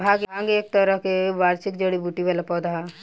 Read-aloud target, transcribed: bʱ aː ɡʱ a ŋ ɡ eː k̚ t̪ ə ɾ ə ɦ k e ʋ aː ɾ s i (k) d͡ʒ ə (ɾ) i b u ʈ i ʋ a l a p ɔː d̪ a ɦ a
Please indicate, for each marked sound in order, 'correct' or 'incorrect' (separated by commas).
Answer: correct, incorrect